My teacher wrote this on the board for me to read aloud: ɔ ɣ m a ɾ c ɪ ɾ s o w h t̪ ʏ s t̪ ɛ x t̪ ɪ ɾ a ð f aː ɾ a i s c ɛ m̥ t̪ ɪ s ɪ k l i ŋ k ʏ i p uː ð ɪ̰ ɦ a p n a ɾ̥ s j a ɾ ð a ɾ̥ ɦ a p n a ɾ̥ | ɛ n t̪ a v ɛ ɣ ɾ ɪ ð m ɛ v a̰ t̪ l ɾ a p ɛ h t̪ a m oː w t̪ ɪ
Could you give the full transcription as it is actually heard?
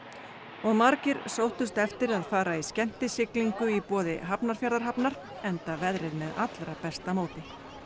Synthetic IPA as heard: ɔ ɣ m a ɾ c ɪ ɾ s o w h t̪ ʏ s t̪ ɛ f t̪ ɪ ɾ a ð f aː ɾ a i s c ɛ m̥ t̪ ɪ s ɪ k l i ŋ k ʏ i p ɔː ð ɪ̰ ɦ a p n a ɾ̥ f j a ɾ ð a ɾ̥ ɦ a p n a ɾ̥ | ɛ n t̪ a v ɛ ð ɾ ɪ ð m ɛ ð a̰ t̪ l ɾ a p ɛ s t̪ a m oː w t̪ ɪ